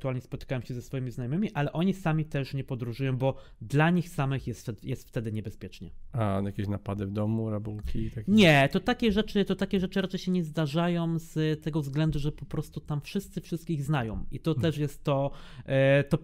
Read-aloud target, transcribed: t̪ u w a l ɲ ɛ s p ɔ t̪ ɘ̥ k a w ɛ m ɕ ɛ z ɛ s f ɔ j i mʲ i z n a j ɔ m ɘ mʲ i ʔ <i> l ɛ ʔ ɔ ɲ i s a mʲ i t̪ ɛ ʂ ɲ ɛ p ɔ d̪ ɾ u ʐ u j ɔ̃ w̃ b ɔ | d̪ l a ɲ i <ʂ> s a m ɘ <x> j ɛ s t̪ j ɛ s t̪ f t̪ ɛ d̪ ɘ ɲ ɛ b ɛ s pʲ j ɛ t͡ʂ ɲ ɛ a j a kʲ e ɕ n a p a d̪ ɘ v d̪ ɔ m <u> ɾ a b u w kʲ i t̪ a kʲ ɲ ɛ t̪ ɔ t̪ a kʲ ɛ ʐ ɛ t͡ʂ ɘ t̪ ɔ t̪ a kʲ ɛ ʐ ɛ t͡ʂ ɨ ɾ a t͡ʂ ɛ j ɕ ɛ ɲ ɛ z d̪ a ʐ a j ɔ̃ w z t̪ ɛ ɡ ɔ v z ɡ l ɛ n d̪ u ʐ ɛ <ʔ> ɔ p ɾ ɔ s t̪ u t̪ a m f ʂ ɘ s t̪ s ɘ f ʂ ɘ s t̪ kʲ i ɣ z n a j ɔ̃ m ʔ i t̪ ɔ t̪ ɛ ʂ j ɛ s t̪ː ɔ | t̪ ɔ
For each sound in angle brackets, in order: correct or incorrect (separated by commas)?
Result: incorrect, incorrect, correct, correct, incorrect